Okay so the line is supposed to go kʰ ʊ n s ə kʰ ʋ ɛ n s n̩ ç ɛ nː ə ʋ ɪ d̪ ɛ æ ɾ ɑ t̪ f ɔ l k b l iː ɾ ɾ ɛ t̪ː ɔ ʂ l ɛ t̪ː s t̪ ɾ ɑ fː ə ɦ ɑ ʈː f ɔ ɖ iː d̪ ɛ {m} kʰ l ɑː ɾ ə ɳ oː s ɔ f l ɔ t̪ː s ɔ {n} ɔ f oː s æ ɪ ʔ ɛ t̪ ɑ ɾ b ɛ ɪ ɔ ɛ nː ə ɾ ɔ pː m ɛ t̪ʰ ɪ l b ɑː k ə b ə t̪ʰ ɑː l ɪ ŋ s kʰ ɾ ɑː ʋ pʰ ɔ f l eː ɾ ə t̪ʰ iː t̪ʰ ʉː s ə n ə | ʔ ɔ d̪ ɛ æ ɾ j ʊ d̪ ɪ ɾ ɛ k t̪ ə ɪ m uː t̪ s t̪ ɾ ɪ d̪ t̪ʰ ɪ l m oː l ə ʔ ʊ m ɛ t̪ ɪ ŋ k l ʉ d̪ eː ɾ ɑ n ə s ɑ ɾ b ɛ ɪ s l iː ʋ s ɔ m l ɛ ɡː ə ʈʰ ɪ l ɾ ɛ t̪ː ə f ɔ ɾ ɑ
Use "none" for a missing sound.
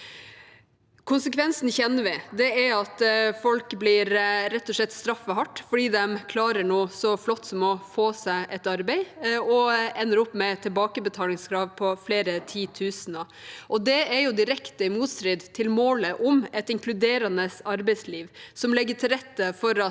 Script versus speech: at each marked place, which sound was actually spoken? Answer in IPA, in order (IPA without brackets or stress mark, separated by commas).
m, m